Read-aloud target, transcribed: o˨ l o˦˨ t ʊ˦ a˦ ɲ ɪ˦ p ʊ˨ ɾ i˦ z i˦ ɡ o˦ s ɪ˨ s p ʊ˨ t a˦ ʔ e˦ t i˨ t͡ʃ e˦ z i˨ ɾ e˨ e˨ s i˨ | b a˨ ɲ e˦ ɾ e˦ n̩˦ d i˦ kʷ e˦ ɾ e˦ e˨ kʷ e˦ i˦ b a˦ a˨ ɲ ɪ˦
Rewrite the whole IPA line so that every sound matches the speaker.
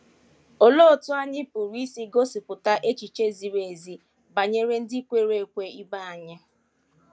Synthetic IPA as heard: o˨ l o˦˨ t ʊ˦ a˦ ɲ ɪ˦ p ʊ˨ ɾ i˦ s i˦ ɡ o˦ s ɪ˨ p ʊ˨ t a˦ ʔ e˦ t͡ʃ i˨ t͡ʃ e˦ z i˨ ɾ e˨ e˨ z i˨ | b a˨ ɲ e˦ ɾ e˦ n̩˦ d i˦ kʷ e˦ ɾ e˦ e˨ kʷ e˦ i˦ b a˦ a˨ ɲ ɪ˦